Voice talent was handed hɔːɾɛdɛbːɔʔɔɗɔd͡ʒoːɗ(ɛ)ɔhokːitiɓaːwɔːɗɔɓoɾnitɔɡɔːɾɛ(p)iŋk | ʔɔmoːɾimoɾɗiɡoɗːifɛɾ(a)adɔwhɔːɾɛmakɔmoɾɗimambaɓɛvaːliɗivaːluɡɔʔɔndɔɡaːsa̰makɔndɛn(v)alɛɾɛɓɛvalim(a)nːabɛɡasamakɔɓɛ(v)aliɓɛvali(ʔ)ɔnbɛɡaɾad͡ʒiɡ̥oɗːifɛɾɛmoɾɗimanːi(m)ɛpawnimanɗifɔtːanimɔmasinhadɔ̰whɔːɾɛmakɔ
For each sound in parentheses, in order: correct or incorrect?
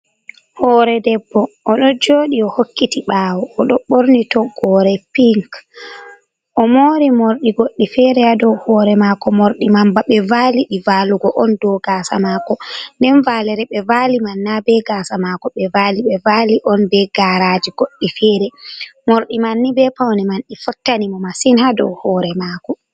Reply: incorrect, correct, incorrect, correct, correct, correct, correct, incorrect

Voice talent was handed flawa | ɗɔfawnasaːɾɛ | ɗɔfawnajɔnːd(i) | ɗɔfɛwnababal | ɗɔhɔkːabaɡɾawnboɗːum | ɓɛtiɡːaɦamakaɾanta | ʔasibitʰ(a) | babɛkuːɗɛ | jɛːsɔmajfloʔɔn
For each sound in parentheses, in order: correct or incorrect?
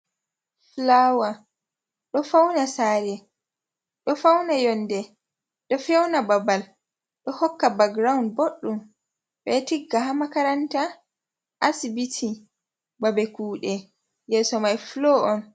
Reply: incorrect, incorrect

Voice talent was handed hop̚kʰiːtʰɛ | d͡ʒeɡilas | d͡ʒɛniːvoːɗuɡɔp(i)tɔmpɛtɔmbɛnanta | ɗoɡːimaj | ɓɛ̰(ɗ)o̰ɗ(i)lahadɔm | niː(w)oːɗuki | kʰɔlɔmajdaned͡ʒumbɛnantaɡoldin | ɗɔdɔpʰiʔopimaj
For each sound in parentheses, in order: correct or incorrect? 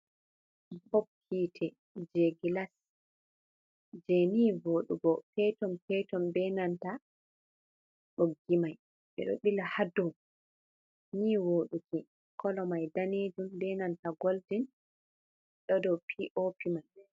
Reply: incorrect, correct, correct, correct

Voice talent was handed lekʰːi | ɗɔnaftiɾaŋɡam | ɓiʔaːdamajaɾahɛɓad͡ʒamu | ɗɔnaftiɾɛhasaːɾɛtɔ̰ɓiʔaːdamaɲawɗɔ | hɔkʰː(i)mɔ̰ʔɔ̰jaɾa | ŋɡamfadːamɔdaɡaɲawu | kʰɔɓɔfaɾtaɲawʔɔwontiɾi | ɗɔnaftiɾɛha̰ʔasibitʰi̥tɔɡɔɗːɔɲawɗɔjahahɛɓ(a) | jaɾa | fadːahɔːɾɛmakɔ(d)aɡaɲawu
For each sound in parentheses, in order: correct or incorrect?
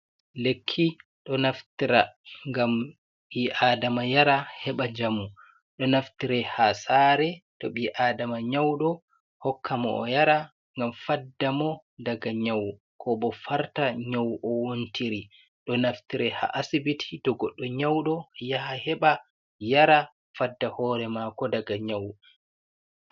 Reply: incorrect, correct, correct

